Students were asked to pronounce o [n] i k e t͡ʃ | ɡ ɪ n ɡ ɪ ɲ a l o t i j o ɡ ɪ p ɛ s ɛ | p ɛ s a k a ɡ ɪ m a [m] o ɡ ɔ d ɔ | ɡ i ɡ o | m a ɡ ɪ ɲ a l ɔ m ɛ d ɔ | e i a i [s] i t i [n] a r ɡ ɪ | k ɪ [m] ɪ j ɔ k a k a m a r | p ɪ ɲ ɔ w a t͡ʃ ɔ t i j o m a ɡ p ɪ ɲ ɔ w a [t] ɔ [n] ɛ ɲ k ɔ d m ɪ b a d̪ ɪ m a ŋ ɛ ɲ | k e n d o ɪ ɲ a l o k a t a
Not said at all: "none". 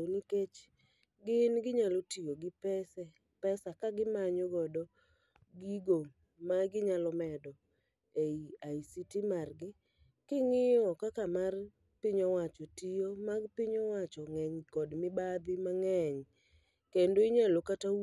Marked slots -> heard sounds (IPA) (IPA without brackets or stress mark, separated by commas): n, ɲ, s, m, ŋ, t͡ʃ, ŋ